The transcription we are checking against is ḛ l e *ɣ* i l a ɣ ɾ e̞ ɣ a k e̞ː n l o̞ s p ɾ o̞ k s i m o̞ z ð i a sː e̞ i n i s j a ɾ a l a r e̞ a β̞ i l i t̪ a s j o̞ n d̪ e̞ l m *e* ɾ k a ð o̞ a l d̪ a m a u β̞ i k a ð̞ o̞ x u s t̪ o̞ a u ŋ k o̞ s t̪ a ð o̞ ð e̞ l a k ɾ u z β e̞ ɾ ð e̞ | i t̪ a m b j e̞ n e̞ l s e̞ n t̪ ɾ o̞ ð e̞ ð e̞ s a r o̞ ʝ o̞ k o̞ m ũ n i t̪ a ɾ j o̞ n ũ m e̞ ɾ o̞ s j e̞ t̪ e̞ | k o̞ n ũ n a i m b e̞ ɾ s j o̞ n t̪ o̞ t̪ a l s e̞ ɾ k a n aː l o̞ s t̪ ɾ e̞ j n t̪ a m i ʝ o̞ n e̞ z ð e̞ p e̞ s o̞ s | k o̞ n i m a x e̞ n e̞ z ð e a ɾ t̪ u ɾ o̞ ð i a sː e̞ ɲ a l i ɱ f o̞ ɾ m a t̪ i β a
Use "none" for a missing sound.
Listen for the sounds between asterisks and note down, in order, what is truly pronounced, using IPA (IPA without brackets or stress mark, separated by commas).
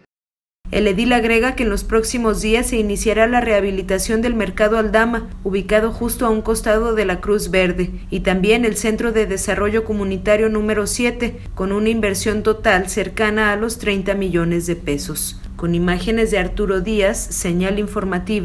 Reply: ð, e